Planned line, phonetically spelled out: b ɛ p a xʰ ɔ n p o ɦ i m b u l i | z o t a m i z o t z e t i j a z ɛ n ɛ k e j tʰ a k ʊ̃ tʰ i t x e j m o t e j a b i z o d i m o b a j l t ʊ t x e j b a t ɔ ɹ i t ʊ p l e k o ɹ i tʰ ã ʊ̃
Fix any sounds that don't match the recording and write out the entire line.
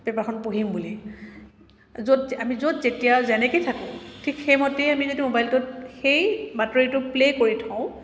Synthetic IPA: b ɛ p a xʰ ɔ n p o ɦ i m b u l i | z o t a m i z o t z e t i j a z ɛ n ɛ k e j tʰ a k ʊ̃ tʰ i k x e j m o t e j a m i z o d i m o b a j l t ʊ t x e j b a t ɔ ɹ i t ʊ p l e k o ɹ i tʰ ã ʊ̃